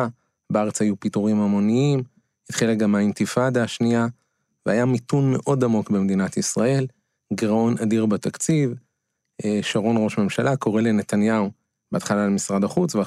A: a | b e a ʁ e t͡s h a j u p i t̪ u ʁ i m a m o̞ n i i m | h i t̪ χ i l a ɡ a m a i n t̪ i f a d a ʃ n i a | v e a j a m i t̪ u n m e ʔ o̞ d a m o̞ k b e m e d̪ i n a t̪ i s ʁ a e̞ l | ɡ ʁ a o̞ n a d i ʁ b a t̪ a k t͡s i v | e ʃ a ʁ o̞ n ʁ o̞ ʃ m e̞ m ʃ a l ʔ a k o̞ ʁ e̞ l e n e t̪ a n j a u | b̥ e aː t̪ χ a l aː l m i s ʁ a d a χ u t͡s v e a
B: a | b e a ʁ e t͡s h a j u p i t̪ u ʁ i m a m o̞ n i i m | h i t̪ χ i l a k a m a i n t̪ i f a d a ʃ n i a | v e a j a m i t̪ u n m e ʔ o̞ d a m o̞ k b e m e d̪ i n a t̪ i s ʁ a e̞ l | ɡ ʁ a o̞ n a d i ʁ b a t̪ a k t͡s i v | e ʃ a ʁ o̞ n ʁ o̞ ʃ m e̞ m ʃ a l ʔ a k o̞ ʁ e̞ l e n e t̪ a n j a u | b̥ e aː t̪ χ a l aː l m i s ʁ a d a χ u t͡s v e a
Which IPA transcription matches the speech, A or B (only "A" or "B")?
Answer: A